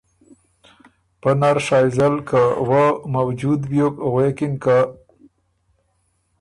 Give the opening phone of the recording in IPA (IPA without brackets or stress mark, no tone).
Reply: p